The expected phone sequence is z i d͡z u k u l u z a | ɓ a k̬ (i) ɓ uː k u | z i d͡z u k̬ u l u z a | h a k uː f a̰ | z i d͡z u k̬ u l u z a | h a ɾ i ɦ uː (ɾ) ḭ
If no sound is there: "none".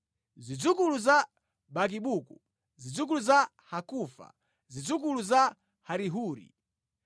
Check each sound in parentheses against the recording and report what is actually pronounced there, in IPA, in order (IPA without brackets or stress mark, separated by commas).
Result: i, ɾ